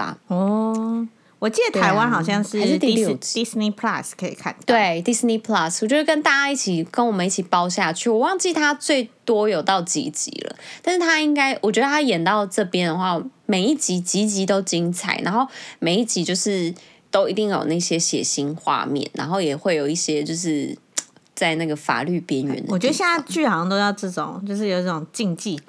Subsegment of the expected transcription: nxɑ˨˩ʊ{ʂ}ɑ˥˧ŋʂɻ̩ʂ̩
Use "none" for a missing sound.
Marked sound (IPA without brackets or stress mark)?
ɕ